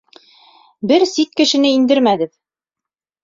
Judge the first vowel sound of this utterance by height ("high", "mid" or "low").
mid